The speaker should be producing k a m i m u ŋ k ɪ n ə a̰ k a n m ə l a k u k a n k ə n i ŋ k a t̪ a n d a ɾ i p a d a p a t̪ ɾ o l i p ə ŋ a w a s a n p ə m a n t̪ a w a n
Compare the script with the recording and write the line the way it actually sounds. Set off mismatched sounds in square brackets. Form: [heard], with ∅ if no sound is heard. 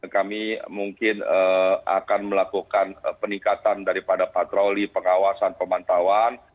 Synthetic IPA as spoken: k a m i m u ŋ k ɪ n ə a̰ k a n m ə l a k u k a n [p] ə n i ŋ k a t̪ a n d a ɾ i p a d a p a t̪ ɾ o l i p ə ŋ a w a s a n p ə m a n t̪ a w a n